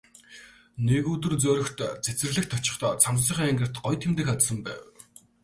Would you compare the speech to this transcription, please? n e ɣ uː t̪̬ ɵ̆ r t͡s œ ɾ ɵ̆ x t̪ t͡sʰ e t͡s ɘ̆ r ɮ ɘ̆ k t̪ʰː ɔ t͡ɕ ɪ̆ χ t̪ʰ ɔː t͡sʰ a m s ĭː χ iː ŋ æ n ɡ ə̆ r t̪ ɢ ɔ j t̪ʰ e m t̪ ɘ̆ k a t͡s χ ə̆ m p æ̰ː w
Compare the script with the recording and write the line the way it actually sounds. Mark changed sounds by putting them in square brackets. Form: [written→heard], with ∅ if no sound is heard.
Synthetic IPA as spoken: n e ɣ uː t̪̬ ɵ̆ r t͡s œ ɾ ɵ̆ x t̪ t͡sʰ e t͡s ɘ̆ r ɮ ɘ̆ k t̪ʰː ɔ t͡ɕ ɪ̆ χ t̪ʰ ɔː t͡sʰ a m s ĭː χ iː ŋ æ [n→ŋ] ɡ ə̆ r t̪ ɢ ɔ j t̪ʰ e m t̪ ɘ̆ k a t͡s [χ→s] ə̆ m p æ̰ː w

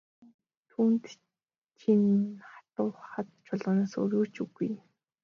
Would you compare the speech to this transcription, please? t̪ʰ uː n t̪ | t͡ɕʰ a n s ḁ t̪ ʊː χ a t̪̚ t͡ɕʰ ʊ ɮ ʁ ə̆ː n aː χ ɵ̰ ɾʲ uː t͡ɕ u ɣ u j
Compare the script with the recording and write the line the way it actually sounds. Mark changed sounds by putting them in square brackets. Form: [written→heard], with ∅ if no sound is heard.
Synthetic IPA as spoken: t̪ʰ uː n t̪ | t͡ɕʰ [a→i] n [s→χ] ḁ t̪ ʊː χ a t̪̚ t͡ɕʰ ʊ ɮ ʁ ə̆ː n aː [χ→s] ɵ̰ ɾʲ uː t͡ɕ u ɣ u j

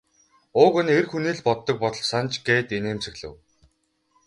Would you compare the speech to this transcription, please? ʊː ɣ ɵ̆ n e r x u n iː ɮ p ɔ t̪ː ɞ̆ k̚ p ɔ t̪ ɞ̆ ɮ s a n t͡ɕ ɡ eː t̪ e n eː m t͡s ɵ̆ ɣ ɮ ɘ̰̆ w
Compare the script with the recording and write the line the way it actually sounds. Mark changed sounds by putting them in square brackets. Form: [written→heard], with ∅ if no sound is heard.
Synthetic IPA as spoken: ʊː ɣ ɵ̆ n e r x u n iː ɮ p ɔ t̪ː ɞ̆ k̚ p ɔ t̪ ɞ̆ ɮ s a n t͡ɕ ɡ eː t̪ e n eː m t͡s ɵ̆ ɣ ɮ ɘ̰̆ w

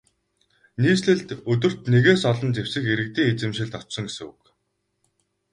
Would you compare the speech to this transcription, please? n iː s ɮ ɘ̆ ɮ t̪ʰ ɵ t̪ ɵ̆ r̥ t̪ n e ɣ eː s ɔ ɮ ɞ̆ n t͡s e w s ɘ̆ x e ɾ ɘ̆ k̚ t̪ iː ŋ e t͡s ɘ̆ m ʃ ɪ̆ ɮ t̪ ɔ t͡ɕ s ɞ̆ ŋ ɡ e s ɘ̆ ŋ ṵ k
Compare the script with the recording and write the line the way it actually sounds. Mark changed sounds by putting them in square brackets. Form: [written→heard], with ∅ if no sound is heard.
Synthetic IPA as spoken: n iː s ɮ ɘ̆ ɮ [t̪ʰ→t̪] ɵ t̪ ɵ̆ r̥ t̪ n e ɣ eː s ɔ ɮ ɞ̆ n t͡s e w s ɘ̆ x e ɾ ɘ̆ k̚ t̪ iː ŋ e t͡s ɘ̆ m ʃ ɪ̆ ɮ t̪ ɔ t͡ɕ s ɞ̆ ŋ ɡ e s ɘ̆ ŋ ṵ k

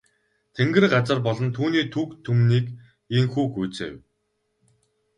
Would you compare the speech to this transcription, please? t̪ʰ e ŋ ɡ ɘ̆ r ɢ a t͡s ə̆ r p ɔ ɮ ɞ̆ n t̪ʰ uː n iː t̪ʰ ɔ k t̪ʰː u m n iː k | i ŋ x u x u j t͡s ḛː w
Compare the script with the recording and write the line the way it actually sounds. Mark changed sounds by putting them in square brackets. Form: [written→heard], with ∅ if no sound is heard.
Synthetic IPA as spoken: t̪ʰ e ŋ ɡ ɘ̆ r ɢ a t͡s ə̆ r p ɔ ɮ ɞ̆ n t̪ʰ uː n iː t̪ʰ [ɔ→u] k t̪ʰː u m n iː k | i ŋ x [u→uː] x u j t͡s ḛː w

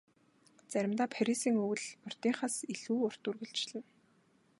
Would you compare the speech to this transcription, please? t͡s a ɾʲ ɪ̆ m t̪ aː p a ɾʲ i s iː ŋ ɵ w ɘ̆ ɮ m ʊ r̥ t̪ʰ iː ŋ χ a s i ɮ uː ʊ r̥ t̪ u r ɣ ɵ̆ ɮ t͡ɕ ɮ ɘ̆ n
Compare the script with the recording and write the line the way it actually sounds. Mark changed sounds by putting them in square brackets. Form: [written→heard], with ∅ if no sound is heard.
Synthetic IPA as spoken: t͡s [a→æ] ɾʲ ɪ̆ m t̪ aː [p→pʰ] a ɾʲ i s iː ŋ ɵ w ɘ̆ ɮ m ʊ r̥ [t̪ʰ→t̪] iː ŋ χ a s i ɮ uː ʊ r̥ t̪ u r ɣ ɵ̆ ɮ t͡ɕ ɮ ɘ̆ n

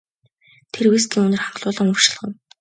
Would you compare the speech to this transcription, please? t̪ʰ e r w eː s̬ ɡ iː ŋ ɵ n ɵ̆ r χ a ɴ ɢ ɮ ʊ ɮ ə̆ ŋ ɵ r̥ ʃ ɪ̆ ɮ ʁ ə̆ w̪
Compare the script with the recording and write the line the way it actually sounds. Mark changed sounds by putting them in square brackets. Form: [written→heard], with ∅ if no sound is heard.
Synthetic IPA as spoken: t̪ʰ e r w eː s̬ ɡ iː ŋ ɵ n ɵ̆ r χ a ɴ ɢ ɮ [ʊ→ʊː] ɮ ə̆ ŋ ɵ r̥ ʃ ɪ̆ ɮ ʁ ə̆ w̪

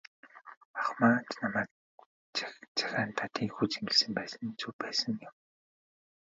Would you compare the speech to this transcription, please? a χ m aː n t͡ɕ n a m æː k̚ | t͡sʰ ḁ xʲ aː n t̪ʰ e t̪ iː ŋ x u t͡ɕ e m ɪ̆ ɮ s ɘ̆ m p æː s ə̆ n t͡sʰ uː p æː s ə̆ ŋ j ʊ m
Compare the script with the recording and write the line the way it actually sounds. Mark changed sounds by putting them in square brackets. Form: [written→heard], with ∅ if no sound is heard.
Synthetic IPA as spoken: a χ m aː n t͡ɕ n a m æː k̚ | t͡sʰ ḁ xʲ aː n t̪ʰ [e→a] t̪ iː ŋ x u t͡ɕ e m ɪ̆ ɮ s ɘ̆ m p æː s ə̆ n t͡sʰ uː p æː s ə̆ ŋ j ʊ m

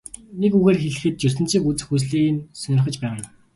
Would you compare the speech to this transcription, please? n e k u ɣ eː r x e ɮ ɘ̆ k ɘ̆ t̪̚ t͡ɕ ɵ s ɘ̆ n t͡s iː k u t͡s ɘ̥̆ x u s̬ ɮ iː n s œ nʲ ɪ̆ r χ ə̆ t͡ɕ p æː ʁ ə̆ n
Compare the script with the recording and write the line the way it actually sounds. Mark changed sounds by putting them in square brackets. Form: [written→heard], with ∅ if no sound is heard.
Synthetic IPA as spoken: n e k u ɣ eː r x e ɮ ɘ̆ [k→x] ɘ̆ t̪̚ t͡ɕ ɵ s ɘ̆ n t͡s iː k u t͡s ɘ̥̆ x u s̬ ɮ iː n s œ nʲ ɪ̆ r χ ə̆ t͡ɕ p æː ʁ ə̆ n

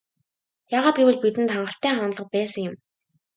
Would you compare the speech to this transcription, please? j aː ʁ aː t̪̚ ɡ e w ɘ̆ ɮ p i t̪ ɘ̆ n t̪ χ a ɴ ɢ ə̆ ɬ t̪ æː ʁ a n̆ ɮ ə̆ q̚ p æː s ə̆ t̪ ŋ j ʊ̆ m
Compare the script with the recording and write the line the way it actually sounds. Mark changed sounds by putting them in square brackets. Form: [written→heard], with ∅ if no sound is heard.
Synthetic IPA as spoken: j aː ʁ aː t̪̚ ɡ e w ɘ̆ ɮ p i t̪ ɘ̆ n t̪ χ a ɴ ɢ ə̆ ɬ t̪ æː [ʁ→χ] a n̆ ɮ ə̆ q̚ p æː s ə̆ [t̪→∅] ŋ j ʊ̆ m

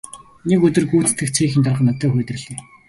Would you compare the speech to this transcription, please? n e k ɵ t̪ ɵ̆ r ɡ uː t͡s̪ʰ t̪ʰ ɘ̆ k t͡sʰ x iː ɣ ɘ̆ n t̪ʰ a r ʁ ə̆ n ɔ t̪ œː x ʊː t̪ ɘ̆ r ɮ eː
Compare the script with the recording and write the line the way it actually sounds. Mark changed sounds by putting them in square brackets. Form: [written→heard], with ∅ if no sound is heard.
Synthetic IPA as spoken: n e k ɵ t̪ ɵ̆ r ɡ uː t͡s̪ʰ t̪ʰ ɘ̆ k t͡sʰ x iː [ɣ→x] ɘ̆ n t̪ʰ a r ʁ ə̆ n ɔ t̪ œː x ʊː t̪ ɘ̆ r ɮ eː

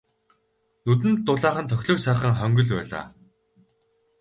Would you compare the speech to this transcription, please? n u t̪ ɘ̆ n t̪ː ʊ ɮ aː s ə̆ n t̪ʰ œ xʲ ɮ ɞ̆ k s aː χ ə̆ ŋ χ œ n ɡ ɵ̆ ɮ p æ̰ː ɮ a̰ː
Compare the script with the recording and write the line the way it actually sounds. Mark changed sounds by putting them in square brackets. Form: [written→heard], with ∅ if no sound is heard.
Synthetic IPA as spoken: n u t̪ ɘ̆ n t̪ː ʊ ɮ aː [s→χ] ə̆ n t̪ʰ œ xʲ ɮ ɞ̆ k s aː χ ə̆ ŋ χ œ [n→ŋ] ɡ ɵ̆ ɮ p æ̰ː ɮ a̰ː

